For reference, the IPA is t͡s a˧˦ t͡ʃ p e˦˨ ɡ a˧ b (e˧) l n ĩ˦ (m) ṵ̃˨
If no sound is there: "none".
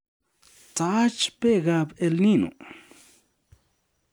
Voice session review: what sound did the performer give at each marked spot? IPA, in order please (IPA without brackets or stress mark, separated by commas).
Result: e˧, n